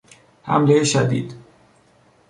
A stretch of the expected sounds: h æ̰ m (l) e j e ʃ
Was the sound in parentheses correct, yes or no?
yes